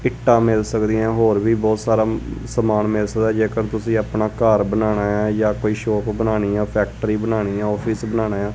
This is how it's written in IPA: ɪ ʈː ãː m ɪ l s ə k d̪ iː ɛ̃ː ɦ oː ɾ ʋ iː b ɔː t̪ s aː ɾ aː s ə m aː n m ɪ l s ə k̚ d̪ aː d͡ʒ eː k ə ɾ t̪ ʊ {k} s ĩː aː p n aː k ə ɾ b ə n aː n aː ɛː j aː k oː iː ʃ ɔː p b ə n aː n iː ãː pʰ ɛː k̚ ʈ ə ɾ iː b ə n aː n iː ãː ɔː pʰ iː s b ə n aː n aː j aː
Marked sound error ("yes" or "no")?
yes